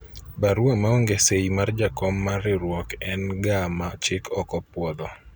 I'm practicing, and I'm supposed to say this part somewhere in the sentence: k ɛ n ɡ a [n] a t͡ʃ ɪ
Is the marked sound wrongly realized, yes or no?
yes